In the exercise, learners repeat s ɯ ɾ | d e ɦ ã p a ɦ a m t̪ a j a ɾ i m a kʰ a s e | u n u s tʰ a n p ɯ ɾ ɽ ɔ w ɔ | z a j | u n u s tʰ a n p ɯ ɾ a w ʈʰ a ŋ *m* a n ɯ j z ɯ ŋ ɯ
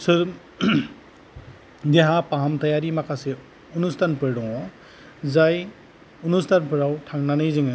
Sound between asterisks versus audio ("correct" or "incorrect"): incorrect